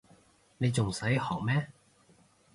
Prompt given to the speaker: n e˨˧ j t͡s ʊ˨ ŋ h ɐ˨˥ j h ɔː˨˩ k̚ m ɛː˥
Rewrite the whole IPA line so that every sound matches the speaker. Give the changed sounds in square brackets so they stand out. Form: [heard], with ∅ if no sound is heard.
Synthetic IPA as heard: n e˨˧ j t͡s ʊ˨ ŋ [s] ɐ˨˥ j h ɔː˨˩ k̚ m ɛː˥